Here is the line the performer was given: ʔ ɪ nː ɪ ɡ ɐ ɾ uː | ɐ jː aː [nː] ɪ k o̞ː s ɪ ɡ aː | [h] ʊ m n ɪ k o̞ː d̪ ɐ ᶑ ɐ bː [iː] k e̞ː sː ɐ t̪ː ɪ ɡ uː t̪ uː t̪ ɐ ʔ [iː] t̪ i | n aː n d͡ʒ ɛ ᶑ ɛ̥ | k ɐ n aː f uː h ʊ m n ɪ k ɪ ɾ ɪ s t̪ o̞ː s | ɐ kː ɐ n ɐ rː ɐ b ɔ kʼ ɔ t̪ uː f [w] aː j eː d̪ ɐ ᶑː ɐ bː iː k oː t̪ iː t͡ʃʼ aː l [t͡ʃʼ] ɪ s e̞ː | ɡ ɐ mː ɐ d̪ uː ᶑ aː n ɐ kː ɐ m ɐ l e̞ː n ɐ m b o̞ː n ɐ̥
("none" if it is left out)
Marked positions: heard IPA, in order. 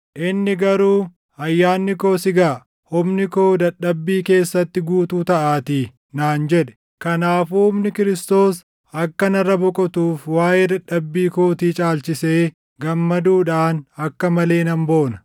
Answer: nː, h, iː, aː, w, t͡ʃ

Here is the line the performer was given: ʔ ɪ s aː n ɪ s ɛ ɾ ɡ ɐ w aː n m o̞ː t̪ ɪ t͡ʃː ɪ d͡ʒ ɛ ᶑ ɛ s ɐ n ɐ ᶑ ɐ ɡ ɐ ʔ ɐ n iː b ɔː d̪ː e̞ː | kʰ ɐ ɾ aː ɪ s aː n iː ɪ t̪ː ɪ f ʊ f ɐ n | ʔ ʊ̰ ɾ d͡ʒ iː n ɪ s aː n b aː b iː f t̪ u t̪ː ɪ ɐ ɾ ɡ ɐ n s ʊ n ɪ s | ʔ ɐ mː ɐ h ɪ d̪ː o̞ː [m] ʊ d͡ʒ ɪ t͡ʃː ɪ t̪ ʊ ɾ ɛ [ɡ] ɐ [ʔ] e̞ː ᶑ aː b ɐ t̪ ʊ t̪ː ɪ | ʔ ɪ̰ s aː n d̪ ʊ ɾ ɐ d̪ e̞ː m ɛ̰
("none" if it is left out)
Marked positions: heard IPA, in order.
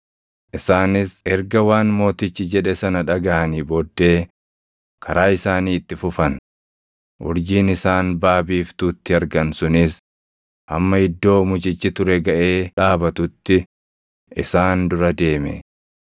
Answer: m, ɡ, ʔ

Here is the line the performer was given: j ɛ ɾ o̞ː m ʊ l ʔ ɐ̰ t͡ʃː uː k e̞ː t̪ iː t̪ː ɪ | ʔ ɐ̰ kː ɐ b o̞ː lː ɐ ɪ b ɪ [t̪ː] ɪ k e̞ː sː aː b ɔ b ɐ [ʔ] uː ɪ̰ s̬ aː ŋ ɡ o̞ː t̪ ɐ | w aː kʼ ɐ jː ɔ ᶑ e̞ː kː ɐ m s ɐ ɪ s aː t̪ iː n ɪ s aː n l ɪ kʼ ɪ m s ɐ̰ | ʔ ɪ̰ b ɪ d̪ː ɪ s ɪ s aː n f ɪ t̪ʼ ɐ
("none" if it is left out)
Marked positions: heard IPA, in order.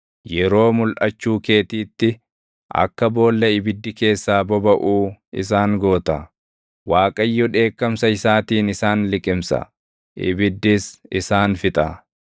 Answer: d̪ː, ʔ

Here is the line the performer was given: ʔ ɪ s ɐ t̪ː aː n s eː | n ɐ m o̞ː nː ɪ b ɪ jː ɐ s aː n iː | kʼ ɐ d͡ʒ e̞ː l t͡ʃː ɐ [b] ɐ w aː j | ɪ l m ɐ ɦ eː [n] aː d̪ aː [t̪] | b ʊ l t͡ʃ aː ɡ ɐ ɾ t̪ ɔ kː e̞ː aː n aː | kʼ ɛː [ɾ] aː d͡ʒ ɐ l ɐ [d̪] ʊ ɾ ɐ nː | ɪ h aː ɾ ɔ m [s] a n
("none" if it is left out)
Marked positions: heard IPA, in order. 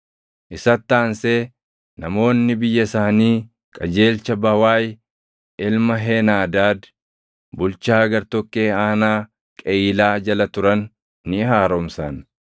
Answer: b, n, d̪, l, t̪, s

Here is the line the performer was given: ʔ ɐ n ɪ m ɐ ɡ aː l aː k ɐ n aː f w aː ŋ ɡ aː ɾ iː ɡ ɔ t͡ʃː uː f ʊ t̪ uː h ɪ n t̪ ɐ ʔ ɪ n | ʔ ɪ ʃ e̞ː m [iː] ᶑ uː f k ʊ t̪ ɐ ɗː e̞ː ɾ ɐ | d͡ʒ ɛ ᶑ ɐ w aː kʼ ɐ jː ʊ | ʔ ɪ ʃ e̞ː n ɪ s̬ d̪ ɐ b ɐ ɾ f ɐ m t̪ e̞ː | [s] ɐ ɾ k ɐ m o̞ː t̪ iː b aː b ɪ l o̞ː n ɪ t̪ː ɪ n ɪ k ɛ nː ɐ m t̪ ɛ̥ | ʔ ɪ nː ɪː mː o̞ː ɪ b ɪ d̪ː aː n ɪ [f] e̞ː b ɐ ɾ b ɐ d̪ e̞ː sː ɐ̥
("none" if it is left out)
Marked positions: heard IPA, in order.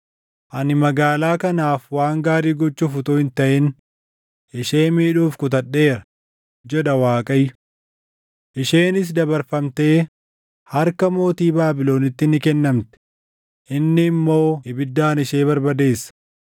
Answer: iː, h, ʃ

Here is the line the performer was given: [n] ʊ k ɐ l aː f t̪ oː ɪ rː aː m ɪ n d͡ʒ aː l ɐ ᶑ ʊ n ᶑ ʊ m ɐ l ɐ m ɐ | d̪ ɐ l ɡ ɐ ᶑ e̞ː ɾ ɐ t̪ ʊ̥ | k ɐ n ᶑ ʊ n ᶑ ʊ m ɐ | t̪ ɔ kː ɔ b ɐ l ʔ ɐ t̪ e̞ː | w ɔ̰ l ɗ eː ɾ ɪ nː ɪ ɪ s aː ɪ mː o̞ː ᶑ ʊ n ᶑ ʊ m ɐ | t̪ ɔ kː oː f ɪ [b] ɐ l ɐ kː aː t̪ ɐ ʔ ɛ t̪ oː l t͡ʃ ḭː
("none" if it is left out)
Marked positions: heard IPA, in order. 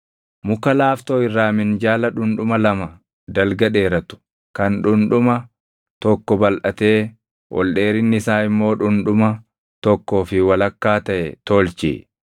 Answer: m, w

